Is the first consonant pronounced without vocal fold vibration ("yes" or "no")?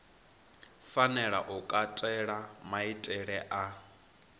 yes